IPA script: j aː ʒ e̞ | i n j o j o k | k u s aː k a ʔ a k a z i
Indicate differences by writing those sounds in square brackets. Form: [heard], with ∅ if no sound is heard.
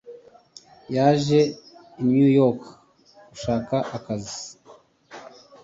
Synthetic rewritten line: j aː ʒ e̞ | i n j [u] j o k | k u [ʃ] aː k a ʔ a k a z i